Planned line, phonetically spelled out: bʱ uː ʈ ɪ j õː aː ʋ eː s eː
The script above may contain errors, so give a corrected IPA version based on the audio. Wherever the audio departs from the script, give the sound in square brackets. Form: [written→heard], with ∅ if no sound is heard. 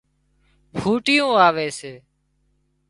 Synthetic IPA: bʱ uː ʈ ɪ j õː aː ʋ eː s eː